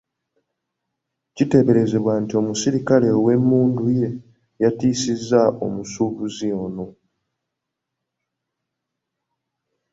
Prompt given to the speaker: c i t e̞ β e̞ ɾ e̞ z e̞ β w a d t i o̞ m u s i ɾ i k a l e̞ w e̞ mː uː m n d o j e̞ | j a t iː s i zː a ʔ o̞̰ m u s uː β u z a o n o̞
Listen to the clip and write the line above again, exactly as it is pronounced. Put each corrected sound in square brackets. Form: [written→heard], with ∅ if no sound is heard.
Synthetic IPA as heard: c i t e̞ β e̞ ɾ e̞ z e̞ β w a [d→n] t i o̞ m u s i ɾ i k a l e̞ w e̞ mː uː [m→∅] n d [o→u] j e̞ | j a t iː s i zː a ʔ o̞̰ m u s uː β u z [a→i] o n o̞